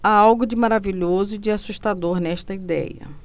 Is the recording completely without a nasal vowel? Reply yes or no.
yes